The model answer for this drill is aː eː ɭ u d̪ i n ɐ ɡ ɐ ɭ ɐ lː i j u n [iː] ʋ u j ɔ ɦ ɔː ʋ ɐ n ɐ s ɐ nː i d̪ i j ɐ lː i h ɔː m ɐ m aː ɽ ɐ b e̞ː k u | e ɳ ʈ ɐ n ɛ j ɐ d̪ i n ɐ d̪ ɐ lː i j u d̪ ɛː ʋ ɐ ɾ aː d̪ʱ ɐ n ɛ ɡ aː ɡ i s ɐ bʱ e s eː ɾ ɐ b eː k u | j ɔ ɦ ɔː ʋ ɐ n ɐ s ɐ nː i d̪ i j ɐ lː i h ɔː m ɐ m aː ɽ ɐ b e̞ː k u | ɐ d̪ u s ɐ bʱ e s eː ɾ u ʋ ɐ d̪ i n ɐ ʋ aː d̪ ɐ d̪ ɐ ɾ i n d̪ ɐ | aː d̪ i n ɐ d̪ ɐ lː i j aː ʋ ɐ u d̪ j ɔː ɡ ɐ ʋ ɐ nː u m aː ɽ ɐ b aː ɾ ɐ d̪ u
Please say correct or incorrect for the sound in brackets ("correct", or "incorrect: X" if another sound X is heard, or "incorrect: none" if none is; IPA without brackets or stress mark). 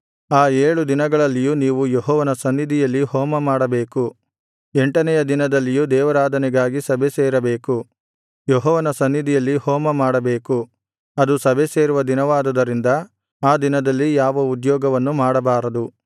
correct